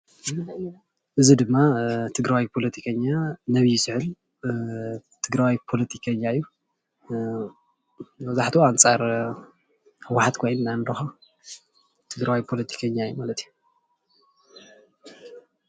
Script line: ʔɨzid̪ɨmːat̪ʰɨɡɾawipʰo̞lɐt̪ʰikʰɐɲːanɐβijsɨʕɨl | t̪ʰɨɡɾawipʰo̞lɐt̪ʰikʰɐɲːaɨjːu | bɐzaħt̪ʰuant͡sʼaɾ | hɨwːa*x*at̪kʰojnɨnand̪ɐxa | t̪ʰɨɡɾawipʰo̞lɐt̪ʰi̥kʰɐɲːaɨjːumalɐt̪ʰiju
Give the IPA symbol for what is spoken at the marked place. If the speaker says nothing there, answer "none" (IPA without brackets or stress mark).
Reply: ħ